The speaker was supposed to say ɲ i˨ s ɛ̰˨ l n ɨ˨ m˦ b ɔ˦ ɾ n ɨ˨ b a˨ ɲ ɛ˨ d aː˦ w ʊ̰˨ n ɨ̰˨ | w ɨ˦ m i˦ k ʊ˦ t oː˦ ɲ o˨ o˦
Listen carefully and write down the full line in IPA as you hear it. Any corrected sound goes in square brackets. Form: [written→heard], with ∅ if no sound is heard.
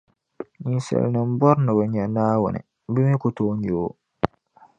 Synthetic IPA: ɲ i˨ s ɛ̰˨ l n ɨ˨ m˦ b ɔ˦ ɾ n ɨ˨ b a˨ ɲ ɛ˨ [d→n] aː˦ w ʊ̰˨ n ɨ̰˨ | [w→b] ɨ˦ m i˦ k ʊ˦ t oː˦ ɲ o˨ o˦